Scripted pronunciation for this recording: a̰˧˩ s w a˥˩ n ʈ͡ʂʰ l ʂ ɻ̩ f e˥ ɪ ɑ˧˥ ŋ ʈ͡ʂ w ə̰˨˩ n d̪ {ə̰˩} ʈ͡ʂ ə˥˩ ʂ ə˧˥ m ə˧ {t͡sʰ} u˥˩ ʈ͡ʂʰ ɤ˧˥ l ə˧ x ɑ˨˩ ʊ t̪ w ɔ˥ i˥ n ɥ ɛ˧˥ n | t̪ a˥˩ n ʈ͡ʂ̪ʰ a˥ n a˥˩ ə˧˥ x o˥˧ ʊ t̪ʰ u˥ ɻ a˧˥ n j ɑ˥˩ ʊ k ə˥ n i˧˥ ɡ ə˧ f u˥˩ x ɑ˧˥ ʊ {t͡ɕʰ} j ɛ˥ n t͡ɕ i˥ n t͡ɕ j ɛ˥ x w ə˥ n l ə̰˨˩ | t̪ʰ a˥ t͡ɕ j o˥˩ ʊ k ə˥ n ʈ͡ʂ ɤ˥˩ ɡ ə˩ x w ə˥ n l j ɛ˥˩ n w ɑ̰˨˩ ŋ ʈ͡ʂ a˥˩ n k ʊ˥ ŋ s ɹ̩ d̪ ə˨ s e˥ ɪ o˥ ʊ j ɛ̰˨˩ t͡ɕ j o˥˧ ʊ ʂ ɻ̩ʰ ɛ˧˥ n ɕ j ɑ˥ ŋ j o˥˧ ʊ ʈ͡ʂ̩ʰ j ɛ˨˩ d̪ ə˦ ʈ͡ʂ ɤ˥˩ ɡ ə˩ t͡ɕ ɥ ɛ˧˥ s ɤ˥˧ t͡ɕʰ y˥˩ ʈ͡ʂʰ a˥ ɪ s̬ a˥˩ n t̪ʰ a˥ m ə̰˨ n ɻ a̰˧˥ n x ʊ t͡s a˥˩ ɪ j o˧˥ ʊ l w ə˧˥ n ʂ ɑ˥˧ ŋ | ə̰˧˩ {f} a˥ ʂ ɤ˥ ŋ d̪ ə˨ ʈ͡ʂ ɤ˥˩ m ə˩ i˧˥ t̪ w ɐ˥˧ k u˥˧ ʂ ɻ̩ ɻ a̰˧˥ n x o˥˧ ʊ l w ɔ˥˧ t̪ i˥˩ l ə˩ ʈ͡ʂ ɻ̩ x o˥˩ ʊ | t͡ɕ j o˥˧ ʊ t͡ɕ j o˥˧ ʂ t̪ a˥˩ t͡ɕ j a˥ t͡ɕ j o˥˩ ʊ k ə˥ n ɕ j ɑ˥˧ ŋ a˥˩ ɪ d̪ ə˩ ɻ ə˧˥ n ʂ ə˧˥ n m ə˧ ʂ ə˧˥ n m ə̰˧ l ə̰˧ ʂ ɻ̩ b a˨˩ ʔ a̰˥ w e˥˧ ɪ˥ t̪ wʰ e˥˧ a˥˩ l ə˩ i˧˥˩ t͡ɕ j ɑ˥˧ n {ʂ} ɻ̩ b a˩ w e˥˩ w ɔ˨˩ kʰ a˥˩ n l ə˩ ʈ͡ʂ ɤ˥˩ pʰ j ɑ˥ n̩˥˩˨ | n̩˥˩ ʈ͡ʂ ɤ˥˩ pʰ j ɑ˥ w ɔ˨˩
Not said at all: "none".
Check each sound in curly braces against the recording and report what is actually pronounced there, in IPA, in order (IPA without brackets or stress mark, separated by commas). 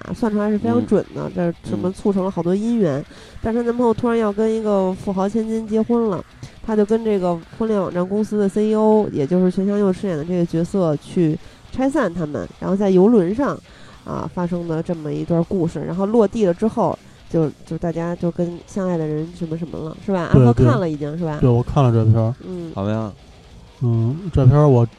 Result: ə̰˦, t͡sʰ, t͡ɕʰ, f, ʂ